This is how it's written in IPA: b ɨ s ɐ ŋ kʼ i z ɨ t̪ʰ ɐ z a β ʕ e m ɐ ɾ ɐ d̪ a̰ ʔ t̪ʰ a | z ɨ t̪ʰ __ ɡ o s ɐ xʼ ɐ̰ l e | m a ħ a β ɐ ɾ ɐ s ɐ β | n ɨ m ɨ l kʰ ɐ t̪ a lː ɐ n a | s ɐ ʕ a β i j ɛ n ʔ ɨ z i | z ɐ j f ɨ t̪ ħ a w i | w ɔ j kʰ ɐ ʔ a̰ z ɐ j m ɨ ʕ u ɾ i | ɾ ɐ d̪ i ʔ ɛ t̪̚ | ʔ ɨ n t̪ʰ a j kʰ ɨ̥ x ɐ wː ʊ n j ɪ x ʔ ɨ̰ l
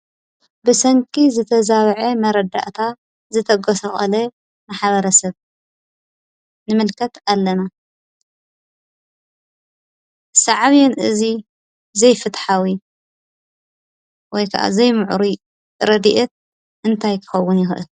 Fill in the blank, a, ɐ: ɐ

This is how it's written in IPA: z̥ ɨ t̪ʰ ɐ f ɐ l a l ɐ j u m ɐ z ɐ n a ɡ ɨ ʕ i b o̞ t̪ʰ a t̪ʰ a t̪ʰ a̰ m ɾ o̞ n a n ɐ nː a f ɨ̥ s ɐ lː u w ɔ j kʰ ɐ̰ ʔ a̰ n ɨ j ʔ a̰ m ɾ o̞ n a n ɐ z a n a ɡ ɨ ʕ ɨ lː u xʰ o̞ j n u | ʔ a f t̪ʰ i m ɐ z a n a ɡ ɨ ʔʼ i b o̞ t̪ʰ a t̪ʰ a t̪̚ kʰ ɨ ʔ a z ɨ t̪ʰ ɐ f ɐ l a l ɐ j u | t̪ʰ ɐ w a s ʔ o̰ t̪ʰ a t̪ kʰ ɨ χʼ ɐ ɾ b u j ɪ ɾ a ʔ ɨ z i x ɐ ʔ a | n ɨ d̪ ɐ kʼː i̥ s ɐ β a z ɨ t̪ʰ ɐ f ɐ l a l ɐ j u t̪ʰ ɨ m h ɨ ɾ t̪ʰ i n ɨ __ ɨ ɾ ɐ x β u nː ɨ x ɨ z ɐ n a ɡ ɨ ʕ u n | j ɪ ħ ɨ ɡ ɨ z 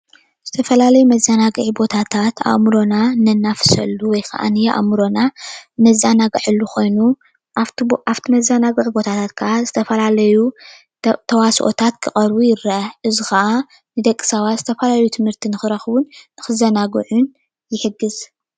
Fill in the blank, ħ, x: x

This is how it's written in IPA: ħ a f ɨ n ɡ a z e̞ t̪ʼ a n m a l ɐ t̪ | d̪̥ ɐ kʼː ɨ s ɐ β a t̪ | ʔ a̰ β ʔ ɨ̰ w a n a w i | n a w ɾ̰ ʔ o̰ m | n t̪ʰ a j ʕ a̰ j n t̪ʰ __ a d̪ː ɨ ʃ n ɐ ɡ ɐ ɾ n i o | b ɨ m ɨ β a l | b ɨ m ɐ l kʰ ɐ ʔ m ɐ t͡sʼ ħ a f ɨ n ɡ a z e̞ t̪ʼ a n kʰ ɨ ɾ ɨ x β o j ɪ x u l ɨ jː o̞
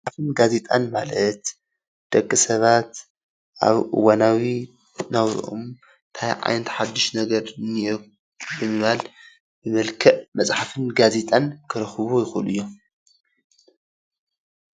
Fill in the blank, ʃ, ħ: ħ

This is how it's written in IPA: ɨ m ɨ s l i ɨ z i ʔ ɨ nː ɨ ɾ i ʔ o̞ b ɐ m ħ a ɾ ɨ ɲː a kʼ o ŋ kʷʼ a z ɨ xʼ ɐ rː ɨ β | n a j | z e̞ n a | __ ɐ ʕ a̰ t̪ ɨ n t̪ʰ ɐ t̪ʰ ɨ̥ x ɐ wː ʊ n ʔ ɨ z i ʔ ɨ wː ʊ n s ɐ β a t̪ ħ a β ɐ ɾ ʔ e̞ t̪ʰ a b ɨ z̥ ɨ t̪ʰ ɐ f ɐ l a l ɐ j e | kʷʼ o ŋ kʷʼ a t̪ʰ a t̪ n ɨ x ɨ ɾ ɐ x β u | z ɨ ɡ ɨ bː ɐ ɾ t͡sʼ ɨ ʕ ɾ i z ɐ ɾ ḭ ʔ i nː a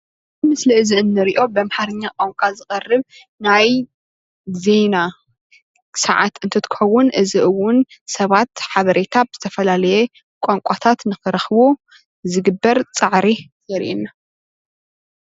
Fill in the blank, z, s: s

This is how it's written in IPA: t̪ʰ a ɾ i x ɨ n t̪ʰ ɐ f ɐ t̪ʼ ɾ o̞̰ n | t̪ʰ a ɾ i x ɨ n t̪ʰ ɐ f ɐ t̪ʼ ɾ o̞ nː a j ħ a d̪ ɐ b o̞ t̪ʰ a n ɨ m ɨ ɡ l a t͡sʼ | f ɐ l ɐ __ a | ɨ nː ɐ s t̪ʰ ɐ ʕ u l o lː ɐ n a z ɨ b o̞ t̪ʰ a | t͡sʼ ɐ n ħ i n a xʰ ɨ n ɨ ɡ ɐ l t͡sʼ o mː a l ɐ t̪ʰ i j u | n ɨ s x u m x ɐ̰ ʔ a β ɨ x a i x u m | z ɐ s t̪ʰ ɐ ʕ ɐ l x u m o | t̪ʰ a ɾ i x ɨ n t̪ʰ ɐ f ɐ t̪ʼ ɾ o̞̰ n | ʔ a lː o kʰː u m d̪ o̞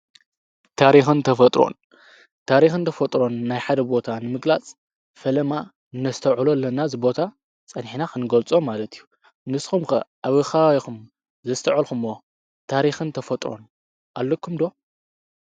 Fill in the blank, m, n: m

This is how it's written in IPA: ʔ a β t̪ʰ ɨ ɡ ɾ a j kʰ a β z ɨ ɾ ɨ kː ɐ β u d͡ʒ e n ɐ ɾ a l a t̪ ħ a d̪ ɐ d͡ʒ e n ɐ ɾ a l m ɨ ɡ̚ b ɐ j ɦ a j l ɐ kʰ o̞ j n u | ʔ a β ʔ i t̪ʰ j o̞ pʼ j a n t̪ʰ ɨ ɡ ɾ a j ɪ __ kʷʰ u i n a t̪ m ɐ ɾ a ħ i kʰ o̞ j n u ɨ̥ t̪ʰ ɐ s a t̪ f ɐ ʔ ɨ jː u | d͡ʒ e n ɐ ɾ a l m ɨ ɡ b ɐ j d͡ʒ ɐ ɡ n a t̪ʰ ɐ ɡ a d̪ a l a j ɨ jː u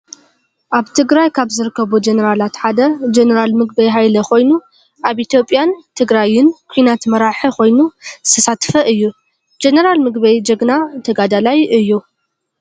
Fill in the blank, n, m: n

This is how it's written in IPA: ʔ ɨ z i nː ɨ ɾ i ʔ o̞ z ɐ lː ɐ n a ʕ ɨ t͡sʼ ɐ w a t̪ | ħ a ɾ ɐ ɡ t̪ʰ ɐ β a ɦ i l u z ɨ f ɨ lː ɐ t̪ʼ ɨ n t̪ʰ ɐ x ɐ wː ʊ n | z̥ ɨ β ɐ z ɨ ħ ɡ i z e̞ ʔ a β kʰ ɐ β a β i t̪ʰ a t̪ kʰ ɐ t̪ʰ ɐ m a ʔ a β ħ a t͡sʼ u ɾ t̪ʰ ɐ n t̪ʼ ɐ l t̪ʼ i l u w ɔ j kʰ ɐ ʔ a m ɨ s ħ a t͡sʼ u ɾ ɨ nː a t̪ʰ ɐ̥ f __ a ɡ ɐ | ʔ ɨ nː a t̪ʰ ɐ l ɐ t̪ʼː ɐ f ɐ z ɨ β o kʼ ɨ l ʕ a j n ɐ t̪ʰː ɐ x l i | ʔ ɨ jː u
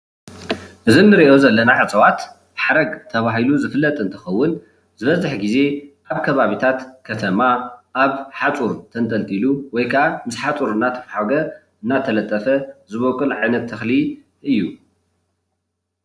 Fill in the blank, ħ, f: ħ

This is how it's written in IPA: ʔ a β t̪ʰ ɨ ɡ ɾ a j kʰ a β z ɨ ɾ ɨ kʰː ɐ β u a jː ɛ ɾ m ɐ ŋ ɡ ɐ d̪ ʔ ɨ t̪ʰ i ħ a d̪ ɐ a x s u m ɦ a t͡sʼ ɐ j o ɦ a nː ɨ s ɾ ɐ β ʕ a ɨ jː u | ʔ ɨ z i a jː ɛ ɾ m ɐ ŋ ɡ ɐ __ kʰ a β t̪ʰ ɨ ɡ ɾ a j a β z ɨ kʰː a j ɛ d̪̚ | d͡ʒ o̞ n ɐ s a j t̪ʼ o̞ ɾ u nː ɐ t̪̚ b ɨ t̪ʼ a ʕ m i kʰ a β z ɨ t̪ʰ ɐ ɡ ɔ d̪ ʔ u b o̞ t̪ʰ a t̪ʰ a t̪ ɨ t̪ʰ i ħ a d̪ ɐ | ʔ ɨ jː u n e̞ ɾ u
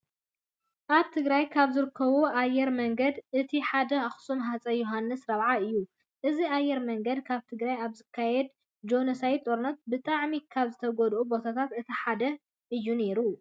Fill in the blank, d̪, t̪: d̪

